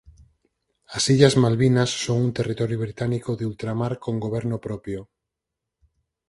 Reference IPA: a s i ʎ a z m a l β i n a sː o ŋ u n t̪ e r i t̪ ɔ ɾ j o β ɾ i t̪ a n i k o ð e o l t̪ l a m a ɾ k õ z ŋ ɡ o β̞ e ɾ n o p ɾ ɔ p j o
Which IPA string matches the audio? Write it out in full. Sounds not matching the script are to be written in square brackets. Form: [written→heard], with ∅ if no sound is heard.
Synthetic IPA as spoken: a s i ʎ a z m a l β i n a sː o ŋ u n t̪ e r i t̪ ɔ ɾ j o β ɾ i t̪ a n i k o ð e [o→u] l t̪ [l→ɾ] a m a ɾ k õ [z→∅] ŋ ɡ o β̞ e ɾ n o p ɾ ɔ p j o